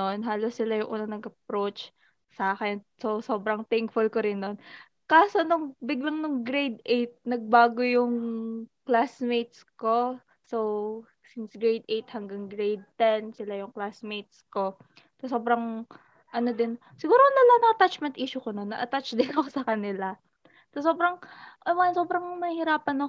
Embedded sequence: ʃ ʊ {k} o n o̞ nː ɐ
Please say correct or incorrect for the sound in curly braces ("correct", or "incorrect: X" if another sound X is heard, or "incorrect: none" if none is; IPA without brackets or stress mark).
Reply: correct